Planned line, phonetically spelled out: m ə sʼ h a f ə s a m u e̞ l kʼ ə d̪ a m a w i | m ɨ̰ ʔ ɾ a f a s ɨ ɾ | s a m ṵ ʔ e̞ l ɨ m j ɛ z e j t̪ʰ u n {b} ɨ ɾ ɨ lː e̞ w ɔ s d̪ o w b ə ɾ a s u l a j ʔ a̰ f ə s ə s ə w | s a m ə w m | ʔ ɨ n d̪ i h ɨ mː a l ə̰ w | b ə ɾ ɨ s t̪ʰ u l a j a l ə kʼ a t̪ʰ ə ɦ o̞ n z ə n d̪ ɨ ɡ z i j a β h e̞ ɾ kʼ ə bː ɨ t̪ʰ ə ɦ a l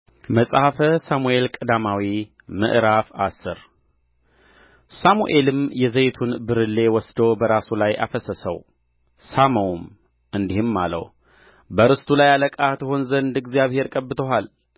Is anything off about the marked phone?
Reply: no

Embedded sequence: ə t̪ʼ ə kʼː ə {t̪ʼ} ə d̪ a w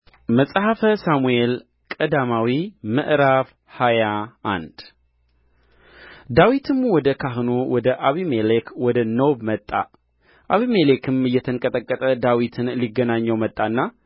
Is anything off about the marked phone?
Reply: no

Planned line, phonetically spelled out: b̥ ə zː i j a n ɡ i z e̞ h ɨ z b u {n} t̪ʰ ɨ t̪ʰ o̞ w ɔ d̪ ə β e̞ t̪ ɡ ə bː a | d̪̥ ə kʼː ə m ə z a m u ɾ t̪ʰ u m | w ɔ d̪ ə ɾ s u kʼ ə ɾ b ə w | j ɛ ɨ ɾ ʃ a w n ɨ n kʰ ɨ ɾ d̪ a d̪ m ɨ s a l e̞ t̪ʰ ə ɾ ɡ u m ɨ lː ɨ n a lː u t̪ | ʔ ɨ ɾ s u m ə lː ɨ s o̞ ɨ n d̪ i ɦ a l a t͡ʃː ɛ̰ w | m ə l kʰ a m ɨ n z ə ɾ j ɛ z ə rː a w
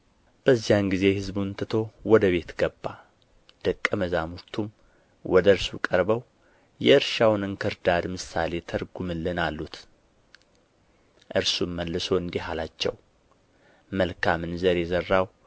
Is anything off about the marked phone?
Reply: no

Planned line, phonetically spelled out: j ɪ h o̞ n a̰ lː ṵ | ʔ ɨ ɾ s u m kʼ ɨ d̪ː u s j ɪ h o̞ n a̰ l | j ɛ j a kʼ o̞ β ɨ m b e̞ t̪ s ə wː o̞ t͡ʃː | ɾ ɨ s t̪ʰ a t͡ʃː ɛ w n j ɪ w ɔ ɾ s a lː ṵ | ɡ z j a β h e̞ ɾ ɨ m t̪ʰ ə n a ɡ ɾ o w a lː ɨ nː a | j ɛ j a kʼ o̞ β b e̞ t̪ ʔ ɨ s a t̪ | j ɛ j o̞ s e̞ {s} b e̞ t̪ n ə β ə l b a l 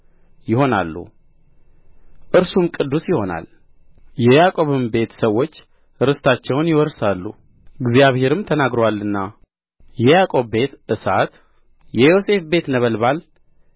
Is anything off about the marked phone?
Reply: yes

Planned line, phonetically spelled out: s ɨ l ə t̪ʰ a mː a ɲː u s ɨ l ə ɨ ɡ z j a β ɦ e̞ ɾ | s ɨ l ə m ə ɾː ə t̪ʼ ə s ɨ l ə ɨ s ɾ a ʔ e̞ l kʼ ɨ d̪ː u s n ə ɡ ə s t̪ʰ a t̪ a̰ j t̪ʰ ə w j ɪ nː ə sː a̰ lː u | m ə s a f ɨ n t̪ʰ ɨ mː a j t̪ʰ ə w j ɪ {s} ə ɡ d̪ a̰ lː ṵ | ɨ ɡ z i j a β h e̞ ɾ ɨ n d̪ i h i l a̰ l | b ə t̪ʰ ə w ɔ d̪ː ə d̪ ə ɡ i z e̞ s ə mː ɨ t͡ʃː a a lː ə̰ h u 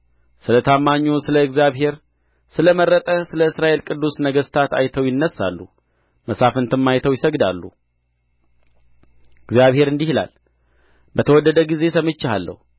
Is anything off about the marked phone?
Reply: no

